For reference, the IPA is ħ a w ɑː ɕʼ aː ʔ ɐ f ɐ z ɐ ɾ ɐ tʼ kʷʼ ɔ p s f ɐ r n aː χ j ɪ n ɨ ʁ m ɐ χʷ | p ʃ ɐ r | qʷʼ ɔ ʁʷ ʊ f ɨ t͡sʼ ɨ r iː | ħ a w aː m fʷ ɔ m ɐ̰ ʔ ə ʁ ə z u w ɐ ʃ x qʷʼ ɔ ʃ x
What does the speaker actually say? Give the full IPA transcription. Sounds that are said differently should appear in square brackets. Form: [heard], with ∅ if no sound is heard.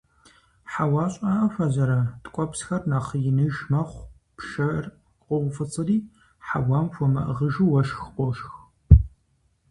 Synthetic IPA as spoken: ħ a w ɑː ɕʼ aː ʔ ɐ f ɐ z ɐ ɾ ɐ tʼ kʷʼ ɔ p s [x] ɐ r n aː χ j ɪ n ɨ [ʒ] m ɐ χʷ | p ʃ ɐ r | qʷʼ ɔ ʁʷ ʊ f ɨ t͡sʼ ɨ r iː | ħ a w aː m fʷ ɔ m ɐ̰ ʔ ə ʁ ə [ʒ] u w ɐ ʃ x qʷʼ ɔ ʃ x